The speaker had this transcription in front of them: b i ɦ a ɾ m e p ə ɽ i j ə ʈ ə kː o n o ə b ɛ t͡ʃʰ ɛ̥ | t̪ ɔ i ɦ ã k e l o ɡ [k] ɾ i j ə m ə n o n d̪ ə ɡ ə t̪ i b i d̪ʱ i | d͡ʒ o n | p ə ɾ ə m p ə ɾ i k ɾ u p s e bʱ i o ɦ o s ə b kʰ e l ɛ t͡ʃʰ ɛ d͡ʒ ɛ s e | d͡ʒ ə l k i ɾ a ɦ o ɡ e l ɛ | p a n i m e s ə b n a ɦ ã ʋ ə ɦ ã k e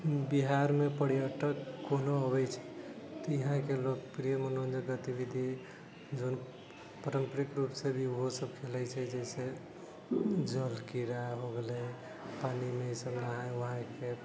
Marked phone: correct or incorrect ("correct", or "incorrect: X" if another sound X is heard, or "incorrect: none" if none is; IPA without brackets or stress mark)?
incorrect: p